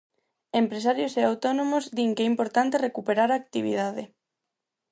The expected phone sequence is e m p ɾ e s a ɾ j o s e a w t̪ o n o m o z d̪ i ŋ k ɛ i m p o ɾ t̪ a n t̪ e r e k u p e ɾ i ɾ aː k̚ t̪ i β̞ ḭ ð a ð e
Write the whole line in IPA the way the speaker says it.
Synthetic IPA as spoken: e m p ɾ e s a ɾ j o s e a w t̪ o n o m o z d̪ i ŋ k ɛ i m p o ɾ t̪ a n t̪ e r e k u p e ɾ a ɾ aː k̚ t̪ i β̞ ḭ ð a ð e